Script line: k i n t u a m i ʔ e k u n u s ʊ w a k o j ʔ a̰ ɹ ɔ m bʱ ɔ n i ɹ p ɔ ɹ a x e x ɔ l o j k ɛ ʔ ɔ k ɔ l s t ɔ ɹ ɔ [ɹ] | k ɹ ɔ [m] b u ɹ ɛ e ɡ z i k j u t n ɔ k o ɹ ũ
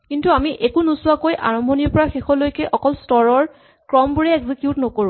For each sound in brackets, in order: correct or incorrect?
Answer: correct, correct

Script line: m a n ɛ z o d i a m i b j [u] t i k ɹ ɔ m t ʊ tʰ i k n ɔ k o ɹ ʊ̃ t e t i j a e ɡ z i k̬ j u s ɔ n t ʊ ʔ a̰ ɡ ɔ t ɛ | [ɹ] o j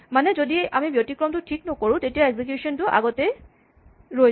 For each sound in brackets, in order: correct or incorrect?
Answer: incorrect, correct

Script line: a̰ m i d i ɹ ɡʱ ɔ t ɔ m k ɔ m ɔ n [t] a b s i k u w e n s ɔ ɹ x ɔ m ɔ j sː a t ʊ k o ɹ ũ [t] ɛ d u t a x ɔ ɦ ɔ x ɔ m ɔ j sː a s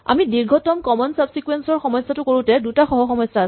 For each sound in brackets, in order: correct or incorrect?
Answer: incorrect, correct

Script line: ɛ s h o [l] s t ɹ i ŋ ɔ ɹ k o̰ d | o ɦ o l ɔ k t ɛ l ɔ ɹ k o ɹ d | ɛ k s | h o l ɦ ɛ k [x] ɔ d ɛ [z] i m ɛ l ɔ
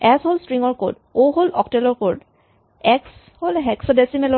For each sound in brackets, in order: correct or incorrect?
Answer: correct, incorrect, incorrect

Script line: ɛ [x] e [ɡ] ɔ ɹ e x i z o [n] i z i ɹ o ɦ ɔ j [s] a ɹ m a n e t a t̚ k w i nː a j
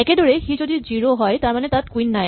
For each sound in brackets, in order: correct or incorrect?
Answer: incorrect, incorrect, incorrect, incorrect

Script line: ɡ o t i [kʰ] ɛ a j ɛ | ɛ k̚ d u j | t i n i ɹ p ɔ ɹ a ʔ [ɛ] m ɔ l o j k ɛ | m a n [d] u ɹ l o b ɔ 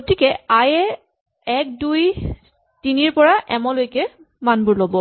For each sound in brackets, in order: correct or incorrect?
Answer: incorrect, correct, incorrect

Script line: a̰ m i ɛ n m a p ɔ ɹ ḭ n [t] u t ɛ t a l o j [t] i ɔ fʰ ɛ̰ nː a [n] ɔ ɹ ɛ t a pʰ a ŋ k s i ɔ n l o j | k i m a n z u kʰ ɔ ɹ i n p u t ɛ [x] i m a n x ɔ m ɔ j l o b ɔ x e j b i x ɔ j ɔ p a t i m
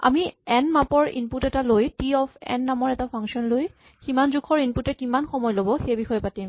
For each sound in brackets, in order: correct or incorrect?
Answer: incorrect, correct, incorrect, incorrect

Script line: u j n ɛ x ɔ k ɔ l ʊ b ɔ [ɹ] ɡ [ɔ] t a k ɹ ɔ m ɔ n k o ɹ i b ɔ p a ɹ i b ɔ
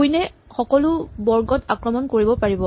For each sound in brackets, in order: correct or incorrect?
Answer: correct, correct

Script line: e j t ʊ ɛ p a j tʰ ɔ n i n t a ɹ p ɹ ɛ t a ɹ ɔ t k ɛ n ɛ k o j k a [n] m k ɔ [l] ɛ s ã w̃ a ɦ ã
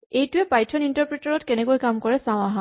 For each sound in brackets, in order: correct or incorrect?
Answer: incorrect, incorrect

